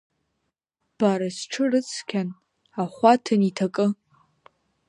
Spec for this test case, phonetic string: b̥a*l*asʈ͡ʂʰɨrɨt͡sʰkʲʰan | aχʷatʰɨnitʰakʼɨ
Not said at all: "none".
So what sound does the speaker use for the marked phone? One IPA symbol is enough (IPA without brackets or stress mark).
ɾ